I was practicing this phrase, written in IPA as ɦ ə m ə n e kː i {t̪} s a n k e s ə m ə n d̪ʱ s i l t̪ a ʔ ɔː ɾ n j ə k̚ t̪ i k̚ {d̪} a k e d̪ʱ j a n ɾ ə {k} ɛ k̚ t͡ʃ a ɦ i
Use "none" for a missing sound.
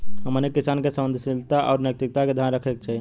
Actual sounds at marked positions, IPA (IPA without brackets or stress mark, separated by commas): none, t̪, kʰ